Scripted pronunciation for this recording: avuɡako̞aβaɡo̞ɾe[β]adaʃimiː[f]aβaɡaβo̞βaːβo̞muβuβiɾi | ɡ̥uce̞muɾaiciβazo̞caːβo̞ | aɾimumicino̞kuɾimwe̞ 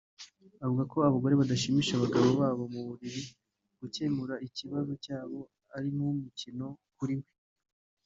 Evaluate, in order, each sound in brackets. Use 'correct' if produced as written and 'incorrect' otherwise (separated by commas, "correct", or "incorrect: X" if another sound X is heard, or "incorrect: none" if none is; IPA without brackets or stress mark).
correct, incorrect: ʃ